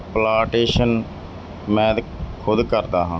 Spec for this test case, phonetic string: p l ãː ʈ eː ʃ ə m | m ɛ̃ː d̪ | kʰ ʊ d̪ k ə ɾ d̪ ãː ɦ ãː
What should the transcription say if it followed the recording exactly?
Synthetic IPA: p l aː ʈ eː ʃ ə n | m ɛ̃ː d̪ | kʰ ʊ d̪ k ə ɾ d̪ aː ɦ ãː